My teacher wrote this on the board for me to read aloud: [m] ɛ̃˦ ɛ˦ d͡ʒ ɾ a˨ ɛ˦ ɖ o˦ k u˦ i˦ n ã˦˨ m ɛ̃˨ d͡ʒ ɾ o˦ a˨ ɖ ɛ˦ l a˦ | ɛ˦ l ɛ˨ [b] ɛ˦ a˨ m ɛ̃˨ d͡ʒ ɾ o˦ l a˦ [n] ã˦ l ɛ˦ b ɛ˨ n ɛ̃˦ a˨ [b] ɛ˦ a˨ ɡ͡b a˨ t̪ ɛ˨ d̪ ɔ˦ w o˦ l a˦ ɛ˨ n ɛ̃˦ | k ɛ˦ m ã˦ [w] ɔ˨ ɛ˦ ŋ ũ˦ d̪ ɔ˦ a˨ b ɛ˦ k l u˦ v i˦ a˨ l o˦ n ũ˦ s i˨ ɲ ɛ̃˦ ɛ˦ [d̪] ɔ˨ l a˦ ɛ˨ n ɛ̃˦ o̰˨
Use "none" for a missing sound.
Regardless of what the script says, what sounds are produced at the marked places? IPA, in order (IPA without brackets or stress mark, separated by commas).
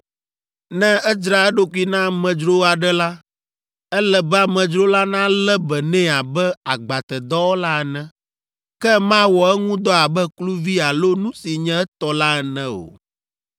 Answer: n, b, n, b, w, t̪